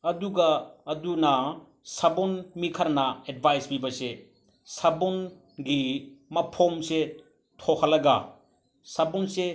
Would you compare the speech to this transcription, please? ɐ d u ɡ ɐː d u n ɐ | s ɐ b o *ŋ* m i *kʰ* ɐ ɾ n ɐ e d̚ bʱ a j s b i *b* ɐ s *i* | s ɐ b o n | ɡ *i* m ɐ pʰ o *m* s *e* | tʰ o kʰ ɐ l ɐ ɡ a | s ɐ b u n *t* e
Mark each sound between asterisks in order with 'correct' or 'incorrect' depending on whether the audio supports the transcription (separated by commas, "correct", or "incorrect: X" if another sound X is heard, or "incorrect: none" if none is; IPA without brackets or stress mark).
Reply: incorrect: n, correct, correct, incorrect: e, correct, correct, correct, incorrect: s